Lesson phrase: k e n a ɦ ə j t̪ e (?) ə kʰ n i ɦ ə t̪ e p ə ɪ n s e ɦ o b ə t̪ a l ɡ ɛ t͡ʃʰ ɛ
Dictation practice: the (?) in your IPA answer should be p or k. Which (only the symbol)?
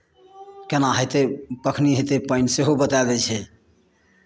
p